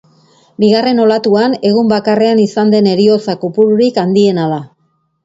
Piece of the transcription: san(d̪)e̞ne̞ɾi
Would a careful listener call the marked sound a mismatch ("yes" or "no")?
no